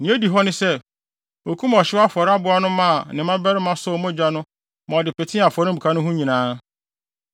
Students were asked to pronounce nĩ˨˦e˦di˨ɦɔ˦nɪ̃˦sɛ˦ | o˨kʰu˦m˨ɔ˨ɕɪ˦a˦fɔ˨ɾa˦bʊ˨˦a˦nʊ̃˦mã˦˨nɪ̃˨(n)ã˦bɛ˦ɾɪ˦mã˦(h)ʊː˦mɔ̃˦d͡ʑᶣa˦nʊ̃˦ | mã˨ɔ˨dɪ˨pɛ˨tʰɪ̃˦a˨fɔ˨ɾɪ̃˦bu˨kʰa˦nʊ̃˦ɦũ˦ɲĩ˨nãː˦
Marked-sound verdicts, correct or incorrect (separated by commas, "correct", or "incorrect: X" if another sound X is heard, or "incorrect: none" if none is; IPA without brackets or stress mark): incorrect: m, incorrect: s